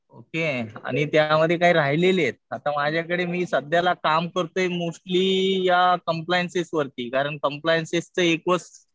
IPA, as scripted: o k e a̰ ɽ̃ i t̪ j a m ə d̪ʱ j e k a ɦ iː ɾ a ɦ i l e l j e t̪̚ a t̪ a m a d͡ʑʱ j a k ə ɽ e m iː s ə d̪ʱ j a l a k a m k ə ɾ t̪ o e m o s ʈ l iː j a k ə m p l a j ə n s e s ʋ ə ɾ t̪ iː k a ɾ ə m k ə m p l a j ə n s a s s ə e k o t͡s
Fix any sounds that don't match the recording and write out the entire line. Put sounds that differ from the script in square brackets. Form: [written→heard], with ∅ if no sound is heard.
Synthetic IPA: o k e a̰ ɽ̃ i t̪ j a m ə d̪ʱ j e k a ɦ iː ɾ a ɦ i l e l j e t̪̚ a t̪ a m a d͡ʑʱ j a k ə ɽ e m iː s ə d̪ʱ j a l a k a m k ə ɾ t̪ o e m o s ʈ l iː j a k ə m p l a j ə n s e s ʋ ə ɾ t̪ iː k a ɾ ə [m→ɳ] k ə m p l a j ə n s [a→e] s [s→t͡s] ə e k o t͡s